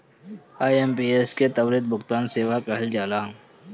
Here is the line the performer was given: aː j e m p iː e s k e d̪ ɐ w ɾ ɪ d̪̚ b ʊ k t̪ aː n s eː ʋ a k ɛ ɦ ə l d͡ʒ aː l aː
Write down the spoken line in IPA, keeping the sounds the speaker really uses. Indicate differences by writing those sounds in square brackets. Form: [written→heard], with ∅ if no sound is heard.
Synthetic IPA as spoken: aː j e m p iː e s k e [d̪→t̪] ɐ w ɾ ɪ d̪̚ b ʊ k t̪ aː n s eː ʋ a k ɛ ɦ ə l d͡ʒ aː l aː